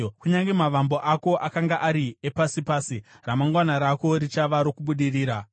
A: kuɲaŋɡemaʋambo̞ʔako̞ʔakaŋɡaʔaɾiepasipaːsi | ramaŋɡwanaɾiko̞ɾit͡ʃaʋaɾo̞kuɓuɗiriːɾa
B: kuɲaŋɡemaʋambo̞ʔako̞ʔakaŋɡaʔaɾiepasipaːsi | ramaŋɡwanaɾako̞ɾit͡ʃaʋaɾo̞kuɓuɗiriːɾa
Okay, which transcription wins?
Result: B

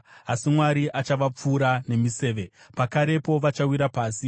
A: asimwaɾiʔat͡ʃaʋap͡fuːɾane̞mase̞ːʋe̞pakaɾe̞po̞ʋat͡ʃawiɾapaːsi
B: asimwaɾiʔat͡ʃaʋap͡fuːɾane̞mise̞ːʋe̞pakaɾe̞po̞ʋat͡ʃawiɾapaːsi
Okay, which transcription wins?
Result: B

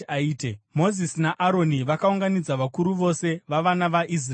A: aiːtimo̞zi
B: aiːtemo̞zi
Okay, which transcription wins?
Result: B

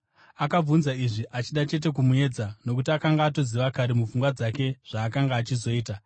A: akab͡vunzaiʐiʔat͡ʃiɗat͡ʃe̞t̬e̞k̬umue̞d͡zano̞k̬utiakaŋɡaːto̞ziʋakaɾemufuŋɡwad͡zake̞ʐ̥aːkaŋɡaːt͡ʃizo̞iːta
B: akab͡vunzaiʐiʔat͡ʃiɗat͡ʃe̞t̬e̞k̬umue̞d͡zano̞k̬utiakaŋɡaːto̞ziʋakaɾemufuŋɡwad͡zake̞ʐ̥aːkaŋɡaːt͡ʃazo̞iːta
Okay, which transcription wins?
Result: A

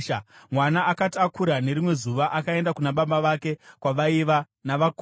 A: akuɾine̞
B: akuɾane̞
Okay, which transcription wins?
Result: B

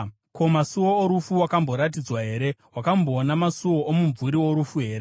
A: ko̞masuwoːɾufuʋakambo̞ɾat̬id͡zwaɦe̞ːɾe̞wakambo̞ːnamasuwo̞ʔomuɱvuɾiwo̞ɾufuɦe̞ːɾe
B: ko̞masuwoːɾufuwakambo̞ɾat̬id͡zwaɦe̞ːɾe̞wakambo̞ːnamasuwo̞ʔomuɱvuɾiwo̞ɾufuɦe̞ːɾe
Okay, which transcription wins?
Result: B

